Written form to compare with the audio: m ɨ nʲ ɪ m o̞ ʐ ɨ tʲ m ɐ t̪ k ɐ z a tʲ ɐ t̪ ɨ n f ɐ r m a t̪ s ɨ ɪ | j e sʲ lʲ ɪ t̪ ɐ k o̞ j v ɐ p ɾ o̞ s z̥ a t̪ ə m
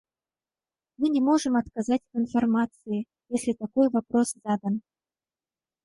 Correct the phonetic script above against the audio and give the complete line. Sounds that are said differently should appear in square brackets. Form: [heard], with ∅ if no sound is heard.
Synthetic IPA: m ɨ nʲ ɪ m o̞ ʐ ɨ [∅] m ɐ t̪ k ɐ z a tʲ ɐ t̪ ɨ n f ɐ r m a t̪ s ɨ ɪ | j e sʲ lʲ ɪ t̪ ɐ k o̞ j v ɐ p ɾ o̞ s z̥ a [d̪] ə [n]

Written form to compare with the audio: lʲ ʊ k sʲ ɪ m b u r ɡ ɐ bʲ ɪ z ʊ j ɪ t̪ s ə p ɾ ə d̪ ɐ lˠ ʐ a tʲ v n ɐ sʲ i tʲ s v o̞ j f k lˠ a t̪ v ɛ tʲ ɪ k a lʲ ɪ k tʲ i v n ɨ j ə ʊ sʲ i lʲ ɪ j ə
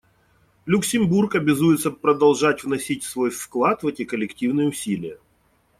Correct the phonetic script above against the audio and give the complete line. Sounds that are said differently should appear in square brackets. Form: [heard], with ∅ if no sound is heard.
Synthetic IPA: lʲ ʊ k sʲ ɪ m b u r [k] ɐ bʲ ɪ z [u] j ɪ t̪ s ə p ɾ ə d̪ ɐ lˠ ʐ a tʲ v n ɐ sʲ i tʲ s v o̞ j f k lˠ a t̪ v ɛ tʲ ɪ k [ə] lʲ ɪ k tʲ i v n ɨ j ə ʊ sʲ i lʲ ɪ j ə

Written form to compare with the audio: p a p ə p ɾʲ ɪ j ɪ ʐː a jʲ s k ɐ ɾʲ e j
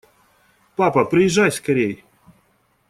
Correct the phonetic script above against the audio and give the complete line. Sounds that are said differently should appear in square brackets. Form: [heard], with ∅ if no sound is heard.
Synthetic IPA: p a p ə p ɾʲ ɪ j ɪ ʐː a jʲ s k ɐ ɾʲ e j

